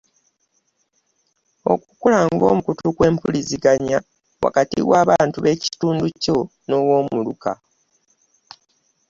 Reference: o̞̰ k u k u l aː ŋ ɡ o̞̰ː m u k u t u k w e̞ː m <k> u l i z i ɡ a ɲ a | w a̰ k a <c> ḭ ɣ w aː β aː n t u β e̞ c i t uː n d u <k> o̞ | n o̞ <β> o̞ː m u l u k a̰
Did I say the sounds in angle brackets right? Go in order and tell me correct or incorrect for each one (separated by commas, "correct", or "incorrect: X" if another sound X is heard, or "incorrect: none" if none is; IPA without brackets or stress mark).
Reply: incorrect: p, incorrect: t, incorrect: c, incorrect: w